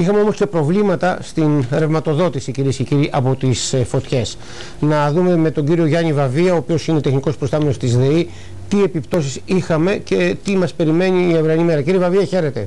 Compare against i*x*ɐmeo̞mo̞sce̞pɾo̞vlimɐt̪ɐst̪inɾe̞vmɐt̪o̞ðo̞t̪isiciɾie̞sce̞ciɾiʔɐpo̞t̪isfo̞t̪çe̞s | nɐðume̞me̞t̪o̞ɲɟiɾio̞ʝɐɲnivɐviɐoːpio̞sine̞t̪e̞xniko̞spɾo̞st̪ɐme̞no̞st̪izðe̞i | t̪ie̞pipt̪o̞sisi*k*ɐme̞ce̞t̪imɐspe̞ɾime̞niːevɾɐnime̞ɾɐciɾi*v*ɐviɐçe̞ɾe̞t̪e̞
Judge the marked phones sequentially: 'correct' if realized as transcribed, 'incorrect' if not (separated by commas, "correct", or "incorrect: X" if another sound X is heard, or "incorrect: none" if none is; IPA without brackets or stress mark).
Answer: correct, incorrect: x, correct